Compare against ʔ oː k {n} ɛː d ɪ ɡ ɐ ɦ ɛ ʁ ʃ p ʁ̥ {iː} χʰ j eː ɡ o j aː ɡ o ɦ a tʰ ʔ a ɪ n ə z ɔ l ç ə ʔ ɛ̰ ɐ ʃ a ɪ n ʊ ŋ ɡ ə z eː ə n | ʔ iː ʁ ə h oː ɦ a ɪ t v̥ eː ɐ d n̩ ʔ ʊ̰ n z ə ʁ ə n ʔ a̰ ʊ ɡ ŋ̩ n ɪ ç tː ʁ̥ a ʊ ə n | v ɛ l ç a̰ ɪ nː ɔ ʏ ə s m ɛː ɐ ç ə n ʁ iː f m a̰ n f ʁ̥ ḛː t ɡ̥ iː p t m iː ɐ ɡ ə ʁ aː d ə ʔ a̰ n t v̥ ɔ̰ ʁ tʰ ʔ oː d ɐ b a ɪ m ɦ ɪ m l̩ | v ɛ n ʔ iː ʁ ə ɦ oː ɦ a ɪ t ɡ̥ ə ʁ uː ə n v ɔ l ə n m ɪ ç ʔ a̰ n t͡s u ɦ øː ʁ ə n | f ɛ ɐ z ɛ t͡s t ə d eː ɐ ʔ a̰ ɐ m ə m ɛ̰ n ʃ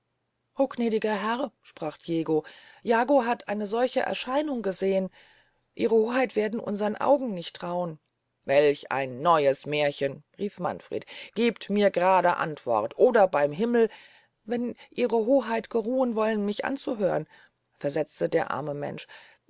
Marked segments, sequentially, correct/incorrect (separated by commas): correct, incorrect